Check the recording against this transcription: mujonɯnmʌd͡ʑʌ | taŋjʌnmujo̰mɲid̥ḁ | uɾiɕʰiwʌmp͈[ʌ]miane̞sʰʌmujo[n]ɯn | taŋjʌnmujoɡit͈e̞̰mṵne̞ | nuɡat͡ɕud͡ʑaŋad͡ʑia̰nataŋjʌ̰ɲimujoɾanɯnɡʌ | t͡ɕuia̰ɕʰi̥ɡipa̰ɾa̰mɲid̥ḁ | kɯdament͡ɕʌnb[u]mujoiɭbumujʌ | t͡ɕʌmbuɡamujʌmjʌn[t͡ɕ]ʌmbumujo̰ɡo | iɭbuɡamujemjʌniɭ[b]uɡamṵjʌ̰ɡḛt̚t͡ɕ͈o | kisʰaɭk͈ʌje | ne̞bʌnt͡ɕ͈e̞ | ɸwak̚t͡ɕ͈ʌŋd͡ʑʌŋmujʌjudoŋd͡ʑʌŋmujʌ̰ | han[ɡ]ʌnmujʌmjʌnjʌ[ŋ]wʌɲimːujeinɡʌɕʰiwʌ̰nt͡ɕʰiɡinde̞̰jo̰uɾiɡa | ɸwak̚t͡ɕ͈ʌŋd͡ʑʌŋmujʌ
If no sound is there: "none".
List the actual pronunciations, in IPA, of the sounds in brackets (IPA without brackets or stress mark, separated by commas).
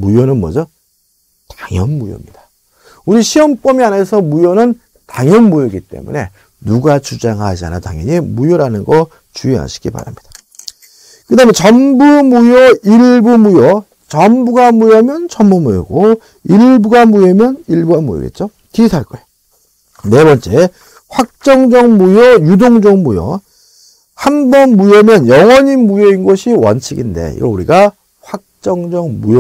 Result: ʌ, n, u, t͡ɕ, b, b, ŋ